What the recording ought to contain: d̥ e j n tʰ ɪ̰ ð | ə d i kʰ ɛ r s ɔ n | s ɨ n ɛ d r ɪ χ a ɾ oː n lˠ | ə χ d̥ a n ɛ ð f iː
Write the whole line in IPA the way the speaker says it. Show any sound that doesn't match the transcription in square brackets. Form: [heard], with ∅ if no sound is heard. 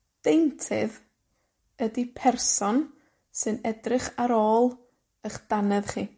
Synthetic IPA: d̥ e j n tʰ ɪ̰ ð | ə d i [pʰ] ɛ r s ɔ n | s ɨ n ɛ d r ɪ χ a ɾ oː [∅] lˠ | ə χ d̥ a n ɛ ð [χ] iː

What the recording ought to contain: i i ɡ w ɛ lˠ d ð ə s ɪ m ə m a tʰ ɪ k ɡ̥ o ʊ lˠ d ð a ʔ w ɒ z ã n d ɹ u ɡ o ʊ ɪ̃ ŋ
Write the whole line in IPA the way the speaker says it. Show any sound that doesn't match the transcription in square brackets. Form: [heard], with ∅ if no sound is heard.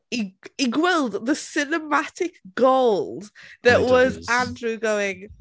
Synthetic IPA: i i ɡ w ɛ lˠ d ð ə s ɪ [n] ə m a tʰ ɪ k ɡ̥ o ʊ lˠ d ð [ə] ʔ w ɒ z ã n d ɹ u ɡ o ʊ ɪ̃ ŋ

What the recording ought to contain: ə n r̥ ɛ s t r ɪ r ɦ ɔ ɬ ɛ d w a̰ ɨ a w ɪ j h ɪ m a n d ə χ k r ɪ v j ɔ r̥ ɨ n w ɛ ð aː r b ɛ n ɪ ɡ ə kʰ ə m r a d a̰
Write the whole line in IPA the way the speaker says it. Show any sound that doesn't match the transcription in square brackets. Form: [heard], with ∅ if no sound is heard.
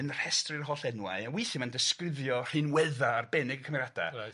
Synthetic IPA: ə n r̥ ɛ s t r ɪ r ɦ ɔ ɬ ɛ [n] w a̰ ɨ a w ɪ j [θ] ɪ m a n d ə [s] k r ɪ v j ɔ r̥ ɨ n w ɛ ð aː r b ɛ n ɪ ɡ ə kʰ ə m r a d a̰

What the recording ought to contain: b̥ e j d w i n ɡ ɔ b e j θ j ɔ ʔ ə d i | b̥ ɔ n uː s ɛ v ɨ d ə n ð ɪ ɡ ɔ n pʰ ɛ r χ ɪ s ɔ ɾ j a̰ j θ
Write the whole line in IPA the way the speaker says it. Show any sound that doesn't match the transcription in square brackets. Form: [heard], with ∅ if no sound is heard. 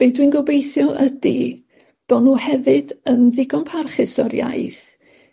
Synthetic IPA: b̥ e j d w i n ɡ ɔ b e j θ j ɔ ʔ ə d i | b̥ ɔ n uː [h] ɛ v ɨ d ə n ð ɪ ɡ ɔ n pʰ [a] r χ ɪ s ɔ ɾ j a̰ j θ

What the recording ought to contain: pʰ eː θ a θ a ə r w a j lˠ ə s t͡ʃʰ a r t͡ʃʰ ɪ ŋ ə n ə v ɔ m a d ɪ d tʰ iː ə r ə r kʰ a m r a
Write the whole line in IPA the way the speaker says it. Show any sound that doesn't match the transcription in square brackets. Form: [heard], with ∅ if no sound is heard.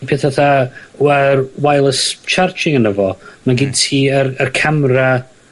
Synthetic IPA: pʰ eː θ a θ a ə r w a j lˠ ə s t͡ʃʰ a r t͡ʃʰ ɪ ŋ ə n ə v ɔ m a [ɡ] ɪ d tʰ iː ə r ə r kʰ a m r a

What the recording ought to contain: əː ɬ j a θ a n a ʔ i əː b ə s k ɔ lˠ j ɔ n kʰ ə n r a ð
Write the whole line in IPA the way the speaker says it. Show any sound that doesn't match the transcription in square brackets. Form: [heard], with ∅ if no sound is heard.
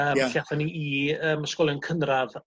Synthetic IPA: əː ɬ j a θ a n [i] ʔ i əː [m] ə s k ɔ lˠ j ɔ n kʰ ə n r a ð

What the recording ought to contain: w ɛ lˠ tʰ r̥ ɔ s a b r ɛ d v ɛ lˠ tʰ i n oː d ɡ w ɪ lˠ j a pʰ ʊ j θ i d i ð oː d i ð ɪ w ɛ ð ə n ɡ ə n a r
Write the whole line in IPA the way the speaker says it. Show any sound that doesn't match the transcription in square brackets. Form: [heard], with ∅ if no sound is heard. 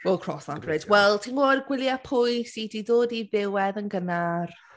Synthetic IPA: w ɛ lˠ [kʰ] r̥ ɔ s a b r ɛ d [w] ɛ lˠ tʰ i n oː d ɡ w ɪ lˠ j a pʰ ʊ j [s] i d i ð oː d i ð ɪ w ɛ ð ə n ɡ ə n a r

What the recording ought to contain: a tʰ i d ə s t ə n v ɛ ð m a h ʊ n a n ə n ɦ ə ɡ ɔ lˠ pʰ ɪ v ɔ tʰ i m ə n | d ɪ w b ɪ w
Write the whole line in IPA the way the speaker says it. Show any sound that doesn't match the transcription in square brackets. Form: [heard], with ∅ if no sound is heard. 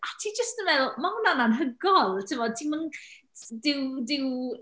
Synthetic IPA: a tʰ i [d͡ʒ] ə s t ə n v ɛ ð m a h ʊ n a n [a] n ɦ ə ɡ ɔ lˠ [tʰ] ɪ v ɔ tʰ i m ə n | d ɪ w [d] ɪ w

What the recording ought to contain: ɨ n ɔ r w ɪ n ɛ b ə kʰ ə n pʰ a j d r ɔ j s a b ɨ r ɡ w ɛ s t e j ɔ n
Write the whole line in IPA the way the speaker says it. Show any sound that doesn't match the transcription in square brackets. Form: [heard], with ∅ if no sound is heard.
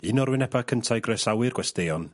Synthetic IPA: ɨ n ɔ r w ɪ n ɛ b [a] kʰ ə n [tʰ] a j [ɡ] r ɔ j s a [w] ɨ r ɡ w ɛ s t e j ɔ n

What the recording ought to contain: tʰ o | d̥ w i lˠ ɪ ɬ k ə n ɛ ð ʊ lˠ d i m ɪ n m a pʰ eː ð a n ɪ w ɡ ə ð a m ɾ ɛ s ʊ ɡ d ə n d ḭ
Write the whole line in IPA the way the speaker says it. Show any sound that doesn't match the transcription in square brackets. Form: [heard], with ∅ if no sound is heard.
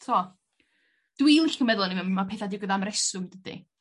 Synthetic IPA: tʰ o | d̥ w i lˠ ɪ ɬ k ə [m] ɛ ð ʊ lˠ [n] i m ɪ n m a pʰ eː [θ] a [d] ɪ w ɡ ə ð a m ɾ ɛ s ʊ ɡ d ə [∅] d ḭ

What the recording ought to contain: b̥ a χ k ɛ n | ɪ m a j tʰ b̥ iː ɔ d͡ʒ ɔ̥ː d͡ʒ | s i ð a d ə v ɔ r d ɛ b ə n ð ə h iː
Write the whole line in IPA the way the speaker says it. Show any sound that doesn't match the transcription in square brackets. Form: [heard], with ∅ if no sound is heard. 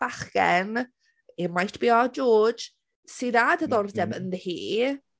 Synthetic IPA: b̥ a χ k ɛ n | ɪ m a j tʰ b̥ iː ɔ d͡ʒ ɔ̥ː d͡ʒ | s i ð a d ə [ð] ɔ r d ɛ b ə n ð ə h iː

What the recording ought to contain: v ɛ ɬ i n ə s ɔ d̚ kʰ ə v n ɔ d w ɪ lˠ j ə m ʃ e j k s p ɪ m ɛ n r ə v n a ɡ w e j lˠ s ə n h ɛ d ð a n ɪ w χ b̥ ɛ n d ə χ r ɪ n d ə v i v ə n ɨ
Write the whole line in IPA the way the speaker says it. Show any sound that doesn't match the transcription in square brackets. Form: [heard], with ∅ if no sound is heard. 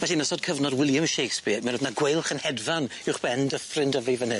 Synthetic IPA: v ɛ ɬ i n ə s ɔ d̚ kʰ ə v n ɔ d w ɪ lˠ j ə m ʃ e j k s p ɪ m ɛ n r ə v n a ɡ w e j lˠ [χ] ə n h ɛ d [v] a n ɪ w χ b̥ ɛ n d ə [f] r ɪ n d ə v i v ə n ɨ

